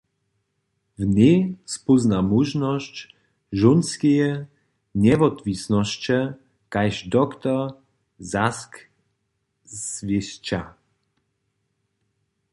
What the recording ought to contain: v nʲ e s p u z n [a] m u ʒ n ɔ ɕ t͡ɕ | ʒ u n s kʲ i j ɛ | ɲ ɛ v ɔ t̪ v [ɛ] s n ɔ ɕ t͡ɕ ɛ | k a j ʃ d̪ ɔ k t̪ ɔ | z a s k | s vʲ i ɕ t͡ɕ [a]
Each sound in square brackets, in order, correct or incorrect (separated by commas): correct, incorrect, correct